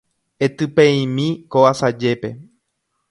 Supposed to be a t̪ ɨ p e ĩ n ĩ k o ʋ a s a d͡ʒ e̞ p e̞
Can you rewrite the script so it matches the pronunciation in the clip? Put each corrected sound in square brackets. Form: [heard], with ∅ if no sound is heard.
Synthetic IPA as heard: [e] t̪ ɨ p e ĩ [m] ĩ k o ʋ a s a d͡ʒ e̞ p e̞